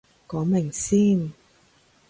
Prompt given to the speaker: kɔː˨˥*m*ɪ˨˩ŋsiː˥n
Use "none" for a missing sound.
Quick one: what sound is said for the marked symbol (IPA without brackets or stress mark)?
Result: m